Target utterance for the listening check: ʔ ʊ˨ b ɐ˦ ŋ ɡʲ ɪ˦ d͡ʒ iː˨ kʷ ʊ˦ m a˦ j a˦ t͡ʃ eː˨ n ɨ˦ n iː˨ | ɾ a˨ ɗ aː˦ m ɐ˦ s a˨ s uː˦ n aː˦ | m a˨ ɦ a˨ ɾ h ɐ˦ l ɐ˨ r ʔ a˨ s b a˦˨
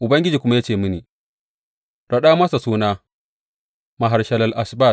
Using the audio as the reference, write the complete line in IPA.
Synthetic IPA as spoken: ʔ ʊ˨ b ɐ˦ ŋ ɡʲ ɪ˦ d͡ʒ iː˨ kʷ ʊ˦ m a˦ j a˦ t͡ʃ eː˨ m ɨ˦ n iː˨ | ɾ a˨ ɗ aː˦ m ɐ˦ s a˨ s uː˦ n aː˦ | m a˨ ɦ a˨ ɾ ʃ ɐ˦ l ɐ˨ l ʔ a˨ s b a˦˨

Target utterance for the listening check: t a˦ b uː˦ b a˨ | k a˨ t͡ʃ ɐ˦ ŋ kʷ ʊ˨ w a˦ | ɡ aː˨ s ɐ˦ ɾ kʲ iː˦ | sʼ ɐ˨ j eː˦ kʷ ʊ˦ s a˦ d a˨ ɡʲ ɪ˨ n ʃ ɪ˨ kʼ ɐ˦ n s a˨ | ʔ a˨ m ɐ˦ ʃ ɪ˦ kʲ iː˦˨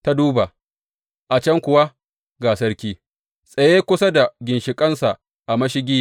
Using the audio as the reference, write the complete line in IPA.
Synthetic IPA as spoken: t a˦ d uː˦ b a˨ | ʔ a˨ t͡ʃ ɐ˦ ŋ kʷ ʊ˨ w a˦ | ɡ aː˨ s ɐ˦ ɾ kʲ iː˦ | sʼ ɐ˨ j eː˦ kʷ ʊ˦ s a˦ d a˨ ɡʲ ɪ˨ n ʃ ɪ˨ kʼ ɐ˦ n s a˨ | ʔ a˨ m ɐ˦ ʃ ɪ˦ ɡʲ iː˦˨

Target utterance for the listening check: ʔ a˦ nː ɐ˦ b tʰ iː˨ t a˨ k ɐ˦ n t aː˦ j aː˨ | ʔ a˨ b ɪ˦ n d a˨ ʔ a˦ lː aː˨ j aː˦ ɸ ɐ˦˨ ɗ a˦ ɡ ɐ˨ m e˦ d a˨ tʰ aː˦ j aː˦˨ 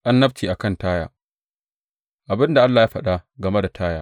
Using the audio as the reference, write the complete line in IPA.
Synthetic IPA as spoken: ʔ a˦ nː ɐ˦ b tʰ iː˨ ʔ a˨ k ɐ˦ n t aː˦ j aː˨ | ʔ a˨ b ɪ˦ n d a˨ ʔ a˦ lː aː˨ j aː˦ ɸ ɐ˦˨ ɗ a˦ ɡ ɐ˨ m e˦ d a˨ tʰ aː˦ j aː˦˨

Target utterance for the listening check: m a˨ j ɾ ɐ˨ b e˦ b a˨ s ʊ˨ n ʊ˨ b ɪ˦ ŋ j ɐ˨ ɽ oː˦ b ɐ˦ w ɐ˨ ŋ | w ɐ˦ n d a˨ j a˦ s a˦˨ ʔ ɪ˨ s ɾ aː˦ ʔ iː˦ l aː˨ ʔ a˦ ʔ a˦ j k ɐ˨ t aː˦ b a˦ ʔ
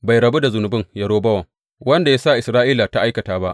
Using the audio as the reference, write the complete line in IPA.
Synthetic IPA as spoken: b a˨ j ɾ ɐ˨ b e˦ d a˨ z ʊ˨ n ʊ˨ b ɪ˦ ŋ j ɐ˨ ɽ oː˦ b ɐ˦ w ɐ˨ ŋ | w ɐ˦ n d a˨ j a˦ s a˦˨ ʔ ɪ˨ s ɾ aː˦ ʔ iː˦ l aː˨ t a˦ ʔ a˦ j k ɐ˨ t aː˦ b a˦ ʔ

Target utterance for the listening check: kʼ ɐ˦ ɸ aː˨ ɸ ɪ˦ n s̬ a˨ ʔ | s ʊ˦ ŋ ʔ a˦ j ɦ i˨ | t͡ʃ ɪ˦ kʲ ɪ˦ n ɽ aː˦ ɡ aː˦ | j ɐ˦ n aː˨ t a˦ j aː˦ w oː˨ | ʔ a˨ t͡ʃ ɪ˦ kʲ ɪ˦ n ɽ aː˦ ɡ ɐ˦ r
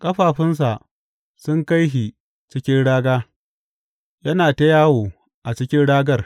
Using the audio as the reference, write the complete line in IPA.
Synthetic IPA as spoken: kʼ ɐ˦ ɸ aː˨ ɸ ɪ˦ n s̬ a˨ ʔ | s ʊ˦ ŋ k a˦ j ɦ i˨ | t͡ʃ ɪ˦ kʲ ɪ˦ n ɽ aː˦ ɡ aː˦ | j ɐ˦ n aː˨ t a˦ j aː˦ w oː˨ | ʔ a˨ t͡ʃ ɪ˦ kʲ ɪ˦ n ɽ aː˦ ɡ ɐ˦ r

